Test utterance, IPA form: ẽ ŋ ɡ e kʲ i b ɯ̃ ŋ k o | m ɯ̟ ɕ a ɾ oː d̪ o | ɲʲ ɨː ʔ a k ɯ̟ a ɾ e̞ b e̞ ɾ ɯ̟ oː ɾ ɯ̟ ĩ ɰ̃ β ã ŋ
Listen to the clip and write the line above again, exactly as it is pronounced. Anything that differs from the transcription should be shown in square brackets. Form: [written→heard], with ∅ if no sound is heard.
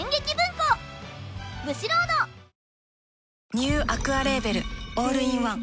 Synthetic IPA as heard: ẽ ŋ ɡ e kʲ i b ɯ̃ ŋ k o | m ɯ̟ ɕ [a→i] ɾ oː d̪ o | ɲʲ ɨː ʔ a k ɯ̟ a ɾ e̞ b e̞ ɾ ɯ̟ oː ɾ ɯ̟ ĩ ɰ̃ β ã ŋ

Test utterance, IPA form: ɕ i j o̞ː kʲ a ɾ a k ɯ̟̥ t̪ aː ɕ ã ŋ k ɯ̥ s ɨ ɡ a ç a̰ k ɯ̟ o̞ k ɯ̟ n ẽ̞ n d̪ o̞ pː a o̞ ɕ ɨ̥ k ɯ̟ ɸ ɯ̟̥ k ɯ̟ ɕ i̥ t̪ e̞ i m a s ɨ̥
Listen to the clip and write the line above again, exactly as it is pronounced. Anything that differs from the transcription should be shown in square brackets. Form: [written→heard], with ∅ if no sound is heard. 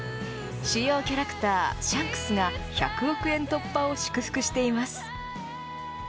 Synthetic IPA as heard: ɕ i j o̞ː kʲ a ɾ a k ɯ̟̥ t̪ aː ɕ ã ŋ k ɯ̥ s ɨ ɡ a ç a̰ k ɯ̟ o̞ k ɯ̟ [n→∅] ẽ̞ n [d̪→t̪] o̞ pː a o̞ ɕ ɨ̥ k ɯ̟ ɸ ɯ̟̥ k ɯ̟ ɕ i̥ t̪ e̞ i m a s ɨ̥

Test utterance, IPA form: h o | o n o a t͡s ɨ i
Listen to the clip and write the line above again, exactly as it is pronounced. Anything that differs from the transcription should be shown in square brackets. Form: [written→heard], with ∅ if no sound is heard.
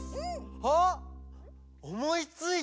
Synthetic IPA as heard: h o | o [n→m] o [a→i] t͡s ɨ i

